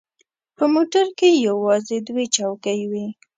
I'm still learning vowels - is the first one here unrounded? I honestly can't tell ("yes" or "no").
yes